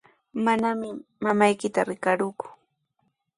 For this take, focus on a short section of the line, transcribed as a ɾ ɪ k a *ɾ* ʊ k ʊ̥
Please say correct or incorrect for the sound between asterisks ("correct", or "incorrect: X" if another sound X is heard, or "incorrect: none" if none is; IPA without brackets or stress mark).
correct